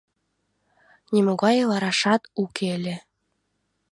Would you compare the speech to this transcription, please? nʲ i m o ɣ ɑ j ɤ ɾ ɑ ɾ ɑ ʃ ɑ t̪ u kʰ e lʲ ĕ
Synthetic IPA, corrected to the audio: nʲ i m o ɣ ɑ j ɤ l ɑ ɾ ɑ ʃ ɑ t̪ u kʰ e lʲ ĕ

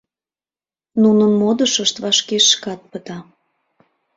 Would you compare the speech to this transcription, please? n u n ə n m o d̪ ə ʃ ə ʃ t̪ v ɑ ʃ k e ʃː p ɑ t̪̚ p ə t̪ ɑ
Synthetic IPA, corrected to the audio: n u n ə n m o d̪ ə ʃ ə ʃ t̪ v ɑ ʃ k e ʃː k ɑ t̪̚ p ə t̪ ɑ

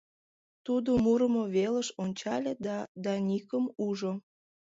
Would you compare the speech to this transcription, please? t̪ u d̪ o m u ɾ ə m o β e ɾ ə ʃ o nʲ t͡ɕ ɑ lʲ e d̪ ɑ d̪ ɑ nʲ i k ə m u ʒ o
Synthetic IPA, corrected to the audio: t̪ u d̪ o m u ɾ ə m o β e l ə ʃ o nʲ t͡ɕ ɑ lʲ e d̪ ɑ d̪ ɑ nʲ i k ə m u ʒ o

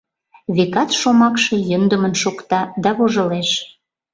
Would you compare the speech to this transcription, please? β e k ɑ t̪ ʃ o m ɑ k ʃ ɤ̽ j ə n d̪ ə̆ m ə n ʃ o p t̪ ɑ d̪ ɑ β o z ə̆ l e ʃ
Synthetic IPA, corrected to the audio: β e k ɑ t̪ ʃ o m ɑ k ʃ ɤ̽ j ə n d̪ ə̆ m ə n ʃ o k t̪ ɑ d̪ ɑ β o ʒ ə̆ l e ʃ

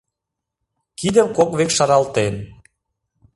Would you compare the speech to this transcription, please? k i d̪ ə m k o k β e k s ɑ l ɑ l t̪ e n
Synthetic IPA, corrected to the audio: k i d̪ ə m k o k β e k ʃ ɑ ɾ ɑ l t̪ e n

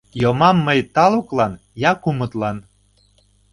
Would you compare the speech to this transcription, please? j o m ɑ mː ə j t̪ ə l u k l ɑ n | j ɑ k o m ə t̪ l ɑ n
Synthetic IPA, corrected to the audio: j o m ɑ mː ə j t̪ ɑ l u k l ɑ n | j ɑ k u m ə t̪ l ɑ n

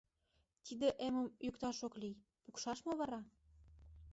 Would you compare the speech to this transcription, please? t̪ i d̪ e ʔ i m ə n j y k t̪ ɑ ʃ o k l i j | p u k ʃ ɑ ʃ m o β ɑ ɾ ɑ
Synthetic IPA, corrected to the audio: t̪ i d̪ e ʔ e m ə m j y k t̪ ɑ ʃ o k l i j | p u k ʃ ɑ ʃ m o β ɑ ɾ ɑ

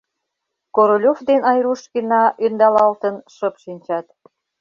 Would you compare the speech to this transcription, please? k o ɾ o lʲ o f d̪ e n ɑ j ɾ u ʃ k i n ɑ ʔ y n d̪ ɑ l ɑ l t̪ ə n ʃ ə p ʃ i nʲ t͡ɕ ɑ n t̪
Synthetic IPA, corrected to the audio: k o ɾ o lʲ o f d̪ e n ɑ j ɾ u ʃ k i n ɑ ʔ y n d̪ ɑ l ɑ l t̪ ə n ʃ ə p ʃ i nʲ t͡ɕ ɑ t̪

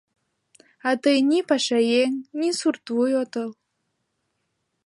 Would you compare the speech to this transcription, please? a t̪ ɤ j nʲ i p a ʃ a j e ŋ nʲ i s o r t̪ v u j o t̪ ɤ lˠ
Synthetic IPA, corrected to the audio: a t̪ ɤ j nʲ i p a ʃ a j e ŋ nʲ i s u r t̪ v u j o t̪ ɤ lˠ

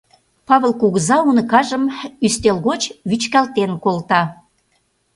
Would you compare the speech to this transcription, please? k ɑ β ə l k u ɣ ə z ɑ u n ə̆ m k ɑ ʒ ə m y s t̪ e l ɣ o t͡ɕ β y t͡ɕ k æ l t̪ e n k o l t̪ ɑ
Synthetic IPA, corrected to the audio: p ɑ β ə l k u ɣ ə z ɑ u n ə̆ k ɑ ʒ ə m y s t̪ e l ɣ o t͡ɕ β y t͡ɕ k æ l t̪ e n k o l t̪ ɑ

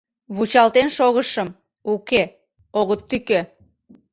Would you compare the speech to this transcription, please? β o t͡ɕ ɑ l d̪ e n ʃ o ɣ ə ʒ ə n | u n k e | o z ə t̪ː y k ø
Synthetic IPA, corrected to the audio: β u t͡ɕ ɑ l t̪ e n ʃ o ɣ ə ʃ ə m | u k e | o ɣ ə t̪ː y k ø

